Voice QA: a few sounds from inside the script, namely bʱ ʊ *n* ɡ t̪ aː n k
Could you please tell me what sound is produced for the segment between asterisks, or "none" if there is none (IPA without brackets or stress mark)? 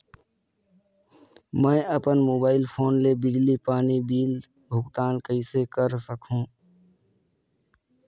none